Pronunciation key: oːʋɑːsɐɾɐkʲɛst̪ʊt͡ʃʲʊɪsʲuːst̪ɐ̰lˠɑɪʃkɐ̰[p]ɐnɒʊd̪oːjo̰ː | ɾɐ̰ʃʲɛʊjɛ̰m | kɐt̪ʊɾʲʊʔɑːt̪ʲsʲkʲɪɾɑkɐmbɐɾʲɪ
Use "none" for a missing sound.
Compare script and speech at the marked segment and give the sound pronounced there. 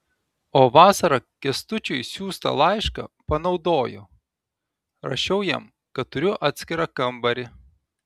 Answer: p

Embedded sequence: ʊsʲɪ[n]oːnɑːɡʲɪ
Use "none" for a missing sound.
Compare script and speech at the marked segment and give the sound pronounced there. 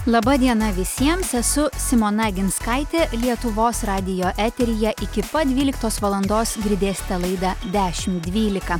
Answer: m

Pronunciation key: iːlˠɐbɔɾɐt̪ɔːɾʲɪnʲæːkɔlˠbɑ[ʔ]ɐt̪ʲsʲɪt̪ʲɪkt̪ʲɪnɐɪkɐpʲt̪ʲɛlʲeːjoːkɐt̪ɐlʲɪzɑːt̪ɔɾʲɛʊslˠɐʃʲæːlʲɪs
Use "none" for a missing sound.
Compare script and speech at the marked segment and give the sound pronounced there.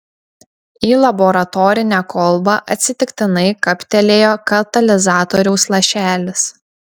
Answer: ʔ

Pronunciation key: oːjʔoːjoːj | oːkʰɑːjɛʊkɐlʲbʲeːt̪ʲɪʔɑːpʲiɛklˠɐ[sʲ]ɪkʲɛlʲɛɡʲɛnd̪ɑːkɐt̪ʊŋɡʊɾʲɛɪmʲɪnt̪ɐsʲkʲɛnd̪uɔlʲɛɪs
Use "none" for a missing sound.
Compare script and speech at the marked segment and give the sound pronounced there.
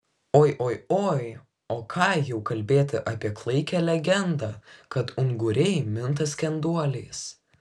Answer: none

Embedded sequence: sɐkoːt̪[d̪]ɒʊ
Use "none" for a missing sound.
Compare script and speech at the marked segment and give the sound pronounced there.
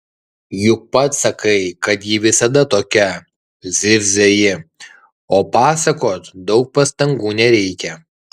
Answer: d̪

